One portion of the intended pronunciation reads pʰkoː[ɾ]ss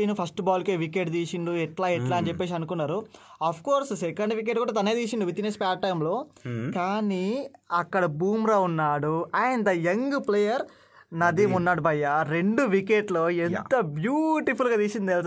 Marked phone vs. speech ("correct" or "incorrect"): correct